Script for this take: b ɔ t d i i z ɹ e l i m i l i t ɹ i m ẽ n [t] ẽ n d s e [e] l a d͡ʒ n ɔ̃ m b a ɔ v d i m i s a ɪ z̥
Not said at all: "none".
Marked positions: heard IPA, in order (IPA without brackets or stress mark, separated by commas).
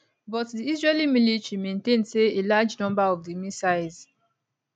t, e